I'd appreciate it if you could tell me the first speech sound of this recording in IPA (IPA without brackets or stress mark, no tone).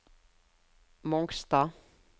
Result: m